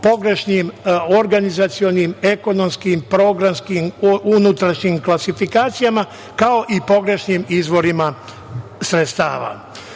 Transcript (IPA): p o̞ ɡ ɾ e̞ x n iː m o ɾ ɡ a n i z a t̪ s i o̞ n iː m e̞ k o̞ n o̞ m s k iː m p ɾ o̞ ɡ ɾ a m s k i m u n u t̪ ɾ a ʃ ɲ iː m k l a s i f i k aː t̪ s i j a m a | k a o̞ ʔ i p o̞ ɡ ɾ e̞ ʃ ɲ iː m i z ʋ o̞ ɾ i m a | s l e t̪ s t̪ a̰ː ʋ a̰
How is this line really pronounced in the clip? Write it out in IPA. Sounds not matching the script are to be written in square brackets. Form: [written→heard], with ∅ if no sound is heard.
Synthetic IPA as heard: p o̞ ɡ ɾ e̞ [x→ʃ] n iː m o ɾ ɡ a n i z a t̪ s i o̞ n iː m e̞ k o̞ n o̞ m s k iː m p ɾ o̞ ɡ ɾ a m s k i m u n u t̪ ɾ a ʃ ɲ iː m k l a s i f i k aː t̪ s i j a m a | k a o̞ ʔ i p o̞ ɡ ɾ e̞ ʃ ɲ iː m i z ʋ o̞ ɾ i m a | s [l→ɾ] e t̪ s t̪ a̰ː ʋ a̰